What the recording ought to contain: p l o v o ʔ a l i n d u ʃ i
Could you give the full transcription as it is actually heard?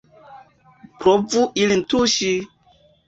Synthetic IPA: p ɾ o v u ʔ i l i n t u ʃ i